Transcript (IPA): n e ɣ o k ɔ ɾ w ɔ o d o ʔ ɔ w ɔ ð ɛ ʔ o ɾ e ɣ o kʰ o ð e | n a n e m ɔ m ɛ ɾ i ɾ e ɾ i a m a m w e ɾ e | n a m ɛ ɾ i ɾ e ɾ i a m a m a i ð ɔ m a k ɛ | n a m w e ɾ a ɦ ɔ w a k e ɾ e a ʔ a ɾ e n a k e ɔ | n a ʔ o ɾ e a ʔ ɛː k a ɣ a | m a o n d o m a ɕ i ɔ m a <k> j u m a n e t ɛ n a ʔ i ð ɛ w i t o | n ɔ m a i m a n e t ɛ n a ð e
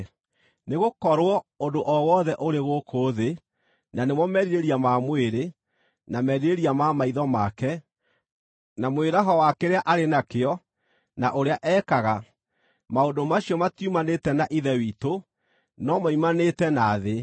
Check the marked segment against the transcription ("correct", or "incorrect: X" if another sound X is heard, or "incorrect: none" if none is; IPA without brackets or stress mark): incorrect: t